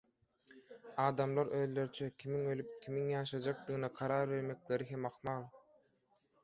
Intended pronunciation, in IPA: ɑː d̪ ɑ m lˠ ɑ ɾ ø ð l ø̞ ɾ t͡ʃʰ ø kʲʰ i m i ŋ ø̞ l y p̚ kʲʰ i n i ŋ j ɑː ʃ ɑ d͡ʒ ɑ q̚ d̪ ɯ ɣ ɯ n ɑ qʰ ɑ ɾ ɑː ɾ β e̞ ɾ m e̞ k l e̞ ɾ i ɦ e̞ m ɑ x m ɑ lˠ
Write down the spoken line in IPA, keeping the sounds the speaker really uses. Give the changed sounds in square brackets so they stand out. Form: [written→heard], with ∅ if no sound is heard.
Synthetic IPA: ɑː d̪ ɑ m lˠ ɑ ɾ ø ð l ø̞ ɾ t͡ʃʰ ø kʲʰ i m i ŋ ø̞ l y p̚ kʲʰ i [n→m] i ŋ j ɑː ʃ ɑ d͡ʒ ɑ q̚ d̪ ɯ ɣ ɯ n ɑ qʰ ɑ ɾ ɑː ɾ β e̞ ɾ m e̞ k l e̞ ɾ i ɦ e̞ m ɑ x m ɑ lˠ